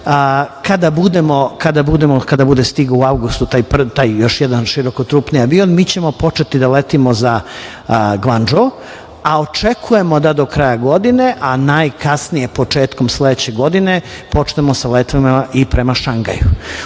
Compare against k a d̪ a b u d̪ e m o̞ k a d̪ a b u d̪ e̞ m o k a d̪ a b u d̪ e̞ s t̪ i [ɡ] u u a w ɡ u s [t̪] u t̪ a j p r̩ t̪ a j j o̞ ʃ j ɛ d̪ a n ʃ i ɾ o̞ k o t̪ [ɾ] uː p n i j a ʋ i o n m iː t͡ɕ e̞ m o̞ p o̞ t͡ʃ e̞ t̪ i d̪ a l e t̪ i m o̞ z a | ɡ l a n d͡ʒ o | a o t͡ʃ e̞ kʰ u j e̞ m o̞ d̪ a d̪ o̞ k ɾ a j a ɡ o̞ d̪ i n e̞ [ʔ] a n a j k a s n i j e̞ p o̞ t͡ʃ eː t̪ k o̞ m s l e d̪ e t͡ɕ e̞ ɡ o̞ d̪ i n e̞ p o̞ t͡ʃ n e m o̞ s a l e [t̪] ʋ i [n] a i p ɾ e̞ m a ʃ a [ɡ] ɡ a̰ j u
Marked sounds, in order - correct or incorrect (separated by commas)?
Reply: correct, correct, correct, correct, correct, incorrect, incorrect